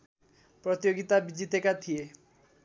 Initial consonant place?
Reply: labial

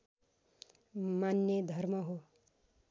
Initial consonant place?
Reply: labial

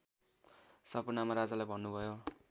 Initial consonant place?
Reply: alveolar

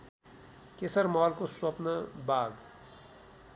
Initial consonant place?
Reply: velar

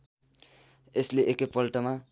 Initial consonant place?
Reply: alveolar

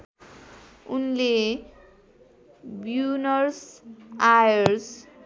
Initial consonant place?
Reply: alveolar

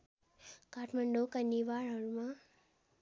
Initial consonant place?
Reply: velar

